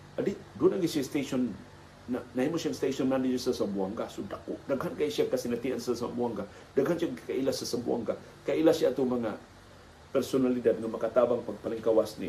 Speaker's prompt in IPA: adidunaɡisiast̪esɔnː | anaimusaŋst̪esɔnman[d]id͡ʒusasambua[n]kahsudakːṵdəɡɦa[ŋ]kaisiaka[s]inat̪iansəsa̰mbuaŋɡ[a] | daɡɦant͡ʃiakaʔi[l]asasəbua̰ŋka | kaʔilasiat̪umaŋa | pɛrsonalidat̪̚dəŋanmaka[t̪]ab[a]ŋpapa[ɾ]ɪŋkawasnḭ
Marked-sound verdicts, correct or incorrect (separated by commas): correct, incorrect, incorrect, correct, correct, correct, correct, correct, incorrect